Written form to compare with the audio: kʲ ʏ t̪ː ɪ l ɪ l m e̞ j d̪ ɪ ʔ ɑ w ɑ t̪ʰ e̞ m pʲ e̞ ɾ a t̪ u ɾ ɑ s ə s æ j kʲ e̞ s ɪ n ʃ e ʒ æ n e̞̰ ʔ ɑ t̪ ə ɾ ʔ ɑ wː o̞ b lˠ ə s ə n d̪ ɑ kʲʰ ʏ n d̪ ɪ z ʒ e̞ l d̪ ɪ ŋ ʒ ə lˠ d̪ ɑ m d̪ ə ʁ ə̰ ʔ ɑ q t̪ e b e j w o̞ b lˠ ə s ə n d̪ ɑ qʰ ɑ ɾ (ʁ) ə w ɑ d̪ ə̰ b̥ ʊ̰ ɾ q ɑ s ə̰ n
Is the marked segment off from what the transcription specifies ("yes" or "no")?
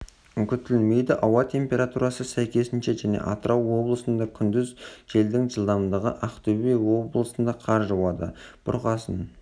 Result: yes